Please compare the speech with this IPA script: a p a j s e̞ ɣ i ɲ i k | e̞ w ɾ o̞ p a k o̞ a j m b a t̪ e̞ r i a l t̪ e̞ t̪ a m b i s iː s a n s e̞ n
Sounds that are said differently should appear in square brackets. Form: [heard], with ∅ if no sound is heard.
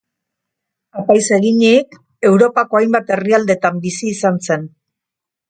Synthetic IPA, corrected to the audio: a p a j s e̞ ɣ i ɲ i k | e̞ w ɾ o̞ p a k o̞ a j m b a t̪ e̞ r i a l [d̪] e̞ t̪ a m b i s iː s a n s e̞ n